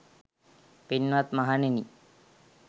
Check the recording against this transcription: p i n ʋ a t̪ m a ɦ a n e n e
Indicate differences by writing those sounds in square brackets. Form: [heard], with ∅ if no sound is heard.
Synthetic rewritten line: p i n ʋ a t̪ m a ɦ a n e n [i]